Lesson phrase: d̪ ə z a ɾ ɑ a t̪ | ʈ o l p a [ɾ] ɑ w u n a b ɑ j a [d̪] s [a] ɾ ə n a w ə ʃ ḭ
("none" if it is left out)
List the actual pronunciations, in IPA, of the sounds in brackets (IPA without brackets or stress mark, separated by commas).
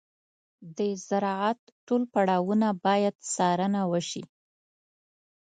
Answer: ɽ, d̪, ɑ